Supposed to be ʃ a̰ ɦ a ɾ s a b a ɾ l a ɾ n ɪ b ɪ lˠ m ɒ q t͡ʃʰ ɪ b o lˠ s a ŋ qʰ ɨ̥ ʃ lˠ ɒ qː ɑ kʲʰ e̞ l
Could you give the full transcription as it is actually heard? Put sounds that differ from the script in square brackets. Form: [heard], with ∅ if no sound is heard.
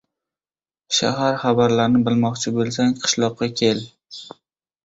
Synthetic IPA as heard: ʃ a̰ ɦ a ɾ [χ] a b a ɾ l a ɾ n ɪ b ɪ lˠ m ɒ q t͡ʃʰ ɪ b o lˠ s a ŋ qʰ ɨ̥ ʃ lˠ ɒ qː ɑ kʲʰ e̞ l